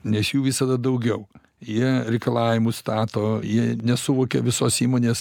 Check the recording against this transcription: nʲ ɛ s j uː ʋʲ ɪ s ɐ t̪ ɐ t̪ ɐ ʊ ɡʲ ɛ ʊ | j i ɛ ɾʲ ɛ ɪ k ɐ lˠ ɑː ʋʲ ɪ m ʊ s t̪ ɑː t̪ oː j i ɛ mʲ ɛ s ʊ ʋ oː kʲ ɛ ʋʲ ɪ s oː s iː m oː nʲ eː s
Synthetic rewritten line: nʲ ɛ s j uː ʋʲ ɪ s ɐ d̪ ɐ d̪ ɐ ʊ ɡʲ ɛ ʊ | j i ɛ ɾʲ ɛ ɪ k ɐ lˠ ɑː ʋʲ ɪ m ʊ s t̪ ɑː t̪ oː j i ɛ nʲ ɛ s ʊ ʋ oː kʲ ɛ ʋʲ ɪ s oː s iː m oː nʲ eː s